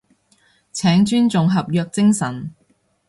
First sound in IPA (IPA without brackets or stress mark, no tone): t͡sʰ